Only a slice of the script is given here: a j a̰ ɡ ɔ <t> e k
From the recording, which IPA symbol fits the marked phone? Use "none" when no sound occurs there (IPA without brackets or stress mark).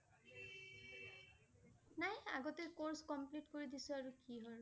t